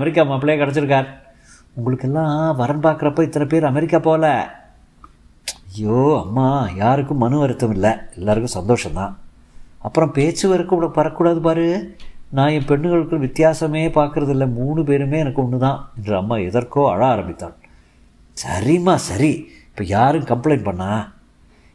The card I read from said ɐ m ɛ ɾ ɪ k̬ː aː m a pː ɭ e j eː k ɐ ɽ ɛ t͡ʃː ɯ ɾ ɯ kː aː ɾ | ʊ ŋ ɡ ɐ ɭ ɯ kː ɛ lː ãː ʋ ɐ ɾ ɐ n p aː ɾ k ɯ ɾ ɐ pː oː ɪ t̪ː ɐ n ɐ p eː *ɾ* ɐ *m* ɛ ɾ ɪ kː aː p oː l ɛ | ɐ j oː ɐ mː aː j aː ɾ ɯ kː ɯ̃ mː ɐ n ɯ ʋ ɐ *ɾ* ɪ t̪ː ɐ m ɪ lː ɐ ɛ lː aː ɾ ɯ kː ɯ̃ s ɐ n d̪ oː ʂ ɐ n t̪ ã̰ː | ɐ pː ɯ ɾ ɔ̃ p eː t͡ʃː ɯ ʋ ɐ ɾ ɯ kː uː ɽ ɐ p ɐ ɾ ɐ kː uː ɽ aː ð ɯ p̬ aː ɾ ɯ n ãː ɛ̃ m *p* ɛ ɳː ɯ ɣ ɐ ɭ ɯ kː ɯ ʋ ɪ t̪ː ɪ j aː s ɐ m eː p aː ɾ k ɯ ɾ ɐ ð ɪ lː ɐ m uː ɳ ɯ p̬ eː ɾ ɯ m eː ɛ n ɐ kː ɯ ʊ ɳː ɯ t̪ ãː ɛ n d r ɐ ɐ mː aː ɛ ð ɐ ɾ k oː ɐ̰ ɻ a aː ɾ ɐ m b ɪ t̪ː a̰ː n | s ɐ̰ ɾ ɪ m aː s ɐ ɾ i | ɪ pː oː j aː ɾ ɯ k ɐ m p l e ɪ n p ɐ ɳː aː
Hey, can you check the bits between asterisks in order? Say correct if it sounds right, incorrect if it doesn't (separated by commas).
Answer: correct, correct, correct, correct